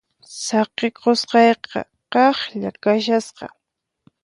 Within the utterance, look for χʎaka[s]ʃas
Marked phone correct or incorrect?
incorrect: none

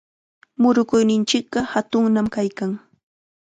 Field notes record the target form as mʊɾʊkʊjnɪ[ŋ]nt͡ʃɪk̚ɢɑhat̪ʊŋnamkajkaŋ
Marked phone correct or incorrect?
incorrect: none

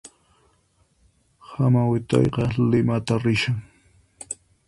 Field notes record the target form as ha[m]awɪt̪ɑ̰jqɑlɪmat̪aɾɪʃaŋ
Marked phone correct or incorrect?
correct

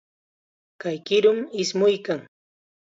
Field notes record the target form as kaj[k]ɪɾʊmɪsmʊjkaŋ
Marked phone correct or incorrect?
correct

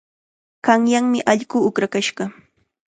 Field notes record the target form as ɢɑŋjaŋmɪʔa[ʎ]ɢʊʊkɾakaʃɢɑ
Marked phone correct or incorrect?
correct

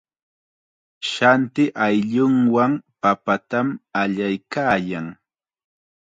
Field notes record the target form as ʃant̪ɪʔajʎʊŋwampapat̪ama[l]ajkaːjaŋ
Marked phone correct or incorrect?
incorrect: ʎ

